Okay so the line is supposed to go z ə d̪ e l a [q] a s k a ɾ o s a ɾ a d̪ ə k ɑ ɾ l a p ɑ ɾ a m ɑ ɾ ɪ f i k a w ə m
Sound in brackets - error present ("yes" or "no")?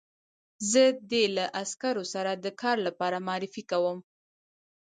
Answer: yes